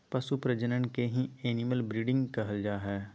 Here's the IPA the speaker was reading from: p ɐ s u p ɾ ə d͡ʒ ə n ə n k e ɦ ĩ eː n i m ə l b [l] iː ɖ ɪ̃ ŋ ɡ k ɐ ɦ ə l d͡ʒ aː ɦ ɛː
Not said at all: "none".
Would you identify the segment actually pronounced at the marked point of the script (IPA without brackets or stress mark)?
ɾ